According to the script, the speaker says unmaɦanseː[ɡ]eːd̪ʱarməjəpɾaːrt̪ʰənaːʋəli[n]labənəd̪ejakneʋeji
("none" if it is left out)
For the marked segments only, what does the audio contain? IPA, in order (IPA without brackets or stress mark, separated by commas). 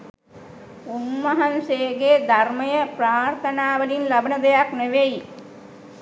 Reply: ɡ, n